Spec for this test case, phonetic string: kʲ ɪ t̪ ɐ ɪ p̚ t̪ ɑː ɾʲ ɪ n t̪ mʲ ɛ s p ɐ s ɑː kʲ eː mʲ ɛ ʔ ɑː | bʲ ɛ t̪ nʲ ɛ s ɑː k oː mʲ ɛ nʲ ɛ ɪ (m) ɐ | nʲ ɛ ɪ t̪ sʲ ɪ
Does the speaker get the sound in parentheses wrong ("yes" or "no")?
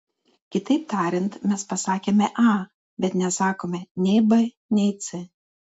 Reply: yes